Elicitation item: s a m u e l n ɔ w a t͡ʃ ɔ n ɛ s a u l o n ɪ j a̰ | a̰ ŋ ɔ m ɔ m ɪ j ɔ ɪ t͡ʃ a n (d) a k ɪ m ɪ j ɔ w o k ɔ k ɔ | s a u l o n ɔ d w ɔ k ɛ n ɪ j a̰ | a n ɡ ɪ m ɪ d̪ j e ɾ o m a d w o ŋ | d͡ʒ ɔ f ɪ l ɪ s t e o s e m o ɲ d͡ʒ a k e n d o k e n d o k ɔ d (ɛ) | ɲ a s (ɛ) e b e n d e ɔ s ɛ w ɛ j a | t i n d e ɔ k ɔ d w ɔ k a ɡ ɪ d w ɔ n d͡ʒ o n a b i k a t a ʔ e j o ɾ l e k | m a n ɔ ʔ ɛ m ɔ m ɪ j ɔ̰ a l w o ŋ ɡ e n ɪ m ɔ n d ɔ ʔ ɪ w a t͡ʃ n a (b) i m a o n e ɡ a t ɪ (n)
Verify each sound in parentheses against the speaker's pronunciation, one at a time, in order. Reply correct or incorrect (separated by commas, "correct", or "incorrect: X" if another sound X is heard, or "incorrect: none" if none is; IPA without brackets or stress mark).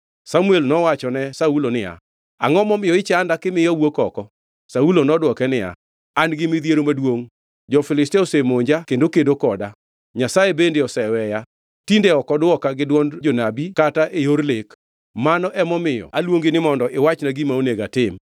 correct, incorrect: a, incorrect: a, incorrect: ɡ, incorrect: m